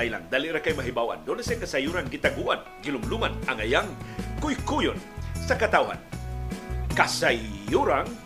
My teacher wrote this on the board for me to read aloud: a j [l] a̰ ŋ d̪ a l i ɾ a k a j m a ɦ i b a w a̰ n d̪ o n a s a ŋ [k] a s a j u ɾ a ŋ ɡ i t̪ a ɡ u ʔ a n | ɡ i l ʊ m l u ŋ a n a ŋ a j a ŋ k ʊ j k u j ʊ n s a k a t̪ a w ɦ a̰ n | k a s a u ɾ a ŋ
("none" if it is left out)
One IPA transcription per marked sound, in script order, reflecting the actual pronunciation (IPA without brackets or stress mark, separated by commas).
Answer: l, k